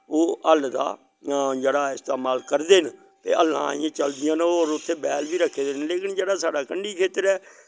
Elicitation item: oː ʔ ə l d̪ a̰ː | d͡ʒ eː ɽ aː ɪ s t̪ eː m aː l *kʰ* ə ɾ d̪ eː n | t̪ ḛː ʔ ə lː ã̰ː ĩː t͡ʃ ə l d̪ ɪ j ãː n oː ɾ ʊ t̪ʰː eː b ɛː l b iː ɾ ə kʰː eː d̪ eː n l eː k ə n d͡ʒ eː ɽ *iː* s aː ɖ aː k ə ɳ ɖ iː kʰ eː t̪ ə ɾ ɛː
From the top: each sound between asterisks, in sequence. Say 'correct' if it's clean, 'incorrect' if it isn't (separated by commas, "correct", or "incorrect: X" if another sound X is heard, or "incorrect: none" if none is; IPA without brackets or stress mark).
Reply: incorrect: k, incorrect: aː